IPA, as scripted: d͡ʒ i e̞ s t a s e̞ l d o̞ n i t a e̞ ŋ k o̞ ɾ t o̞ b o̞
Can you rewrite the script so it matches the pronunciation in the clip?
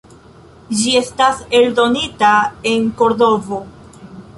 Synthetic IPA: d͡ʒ i e̞ s t a s e̞ l d o̞ n i t a e̞ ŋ k o̞ ɾ d o̞ v o̞

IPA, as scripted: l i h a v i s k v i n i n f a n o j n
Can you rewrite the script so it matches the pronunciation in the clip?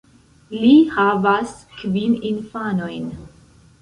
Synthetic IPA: l i h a v a s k v i n i n f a n o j n

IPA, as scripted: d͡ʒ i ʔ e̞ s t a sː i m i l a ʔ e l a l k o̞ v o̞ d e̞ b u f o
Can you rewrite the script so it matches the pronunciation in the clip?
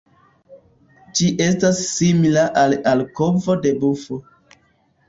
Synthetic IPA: d͡ʒ i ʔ e̞ s t a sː i m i l a ʔ a l a l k o̞ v o̞ d e̞ b u f o

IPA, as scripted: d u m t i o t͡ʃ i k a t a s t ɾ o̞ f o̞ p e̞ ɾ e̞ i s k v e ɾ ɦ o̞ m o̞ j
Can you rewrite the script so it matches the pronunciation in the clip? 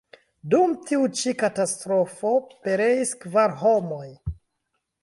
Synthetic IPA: d u m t i u t͡ʃ i k a t a s t ɾ o̞ f o̞ p e̞ ɾ e̞ i s k v a ɾ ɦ o̞ m o̞ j

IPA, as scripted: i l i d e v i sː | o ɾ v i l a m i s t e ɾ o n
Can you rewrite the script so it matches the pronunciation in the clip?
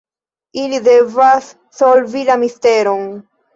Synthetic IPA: i l i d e v a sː | o l v i l a m i s t e ɾ o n

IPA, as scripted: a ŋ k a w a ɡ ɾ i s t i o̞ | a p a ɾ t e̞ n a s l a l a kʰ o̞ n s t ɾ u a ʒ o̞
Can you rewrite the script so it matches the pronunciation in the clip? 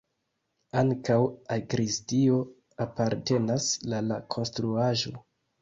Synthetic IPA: a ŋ k a w a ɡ ɾ i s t i o̞ | a p a ɾ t e̞ n a s l a l a kʰ o̞ n s t ɾ u a ʒ o̞

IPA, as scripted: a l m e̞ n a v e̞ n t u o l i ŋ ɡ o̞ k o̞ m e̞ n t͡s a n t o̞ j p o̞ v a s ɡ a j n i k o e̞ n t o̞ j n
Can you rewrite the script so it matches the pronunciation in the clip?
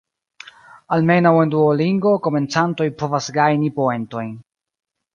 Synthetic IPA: a l m e̞ n a w e̞ n d u o l i ŋ ɡ o̞ k o̞ m e̞ n t͡s a n t o̞ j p o̞ v a s ɡ a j n i p o e̞ n t o̞ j n

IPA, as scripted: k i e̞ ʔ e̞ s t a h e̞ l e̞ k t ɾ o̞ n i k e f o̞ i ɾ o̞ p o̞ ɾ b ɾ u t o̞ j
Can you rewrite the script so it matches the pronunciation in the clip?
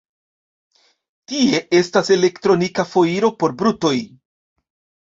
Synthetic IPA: t i e̞ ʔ e̞ s t a s e̞ l e̞ k t ɾ o̞ n i k a f o̞ i ɾ o̞ p o̞ ɾ b ɾ u t o̞ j

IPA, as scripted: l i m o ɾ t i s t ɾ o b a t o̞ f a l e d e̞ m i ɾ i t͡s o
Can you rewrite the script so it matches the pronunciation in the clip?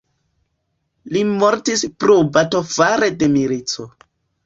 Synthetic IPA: l i m o ɾ t i s p ɾ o b a t o̞ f a ɾ e d e̞ m i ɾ i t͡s o

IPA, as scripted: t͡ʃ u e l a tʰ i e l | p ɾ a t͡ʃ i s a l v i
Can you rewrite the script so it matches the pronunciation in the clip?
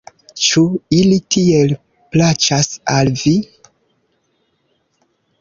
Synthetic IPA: t͡ʃ u i l i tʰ i e l | p l a t͡ʃ a s a l v i

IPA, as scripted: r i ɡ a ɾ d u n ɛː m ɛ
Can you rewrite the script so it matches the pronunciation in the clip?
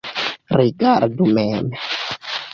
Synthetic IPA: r i ɡ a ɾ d u m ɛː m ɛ

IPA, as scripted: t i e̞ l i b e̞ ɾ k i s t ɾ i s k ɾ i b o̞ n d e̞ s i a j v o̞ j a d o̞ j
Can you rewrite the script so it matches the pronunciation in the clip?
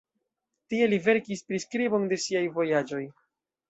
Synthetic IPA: t i e̞ l i v e̞ ɾ k i s p ɾ i s k ɾ i b o̞ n d e̞ s i a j v o̞ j a d͡ʒ o̞ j

